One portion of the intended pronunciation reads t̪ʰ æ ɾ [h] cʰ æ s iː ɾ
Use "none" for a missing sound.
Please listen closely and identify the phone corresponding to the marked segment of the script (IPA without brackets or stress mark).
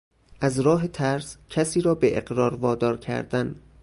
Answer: s